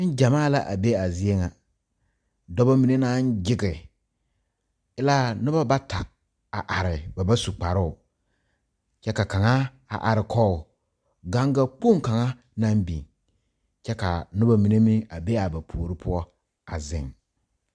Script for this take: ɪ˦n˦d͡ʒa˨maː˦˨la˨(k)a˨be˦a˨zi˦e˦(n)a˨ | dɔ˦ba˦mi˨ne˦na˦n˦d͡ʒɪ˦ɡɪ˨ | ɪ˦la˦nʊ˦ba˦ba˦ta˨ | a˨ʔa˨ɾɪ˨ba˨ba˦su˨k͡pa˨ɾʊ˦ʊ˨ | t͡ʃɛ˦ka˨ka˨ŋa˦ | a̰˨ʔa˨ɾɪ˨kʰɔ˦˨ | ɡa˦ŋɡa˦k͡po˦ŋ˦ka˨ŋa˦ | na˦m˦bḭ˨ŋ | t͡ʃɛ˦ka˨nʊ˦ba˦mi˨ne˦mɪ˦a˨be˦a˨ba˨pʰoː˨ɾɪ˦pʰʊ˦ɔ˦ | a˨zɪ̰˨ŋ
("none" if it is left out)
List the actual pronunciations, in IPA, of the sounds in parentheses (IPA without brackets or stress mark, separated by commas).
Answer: ʔ, ŋ